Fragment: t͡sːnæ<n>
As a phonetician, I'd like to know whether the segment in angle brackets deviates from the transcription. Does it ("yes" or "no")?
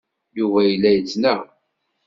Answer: yes